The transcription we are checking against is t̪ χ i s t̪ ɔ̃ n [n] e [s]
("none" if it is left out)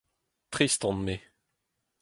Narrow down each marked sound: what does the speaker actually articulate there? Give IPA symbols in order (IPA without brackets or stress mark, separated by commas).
m, none